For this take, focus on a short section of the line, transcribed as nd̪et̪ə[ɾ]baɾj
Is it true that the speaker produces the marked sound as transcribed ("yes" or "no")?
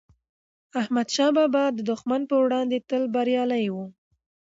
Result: no